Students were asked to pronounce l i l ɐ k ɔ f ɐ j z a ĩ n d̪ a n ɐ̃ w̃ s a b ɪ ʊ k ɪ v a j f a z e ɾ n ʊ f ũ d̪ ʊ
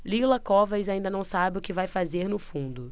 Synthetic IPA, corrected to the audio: l i l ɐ k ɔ v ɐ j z a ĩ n d̪ ɐ n ɐ̃ w̃ s a b ɪ ʊ k ɪ v a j f a z e ɾ n ʊ f ũ d̪ ʊ